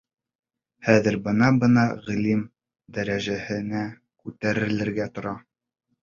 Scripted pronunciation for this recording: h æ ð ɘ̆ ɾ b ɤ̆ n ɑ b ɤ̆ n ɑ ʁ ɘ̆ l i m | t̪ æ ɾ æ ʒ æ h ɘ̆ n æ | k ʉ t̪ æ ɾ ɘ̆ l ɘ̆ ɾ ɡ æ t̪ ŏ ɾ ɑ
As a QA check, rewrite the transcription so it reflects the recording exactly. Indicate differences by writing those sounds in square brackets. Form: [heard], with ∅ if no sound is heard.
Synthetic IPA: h æ ð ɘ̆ ɾ b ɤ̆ n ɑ b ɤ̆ n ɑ ʁ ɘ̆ l i m | [d̪] æ ɾ æ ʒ æ h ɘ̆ n æ | k ʉ t̪ æ ɾ ɘ̆ l ɘ̆ ɾ ɡ æ t̪ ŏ ɾ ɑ